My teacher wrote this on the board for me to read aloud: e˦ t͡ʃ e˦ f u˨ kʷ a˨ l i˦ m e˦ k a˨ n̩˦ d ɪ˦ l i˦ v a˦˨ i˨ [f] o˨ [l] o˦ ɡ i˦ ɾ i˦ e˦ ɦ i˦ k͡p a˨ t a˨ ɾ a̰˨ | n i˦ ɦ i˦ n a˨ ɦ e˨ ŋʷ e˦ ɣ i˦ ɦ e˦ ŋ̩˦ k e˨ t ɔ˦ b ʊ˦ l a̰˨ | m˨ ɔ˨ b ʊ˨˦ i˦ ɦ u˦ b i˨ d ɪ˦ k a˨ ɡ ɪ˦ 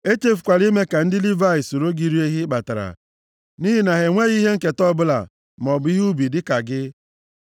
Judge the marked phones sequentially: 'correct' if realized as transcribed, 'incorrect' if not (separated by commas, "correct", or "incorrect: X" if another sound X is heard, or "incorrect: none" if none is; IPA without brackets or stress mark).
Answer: incorrect: s, incorrect: ɾ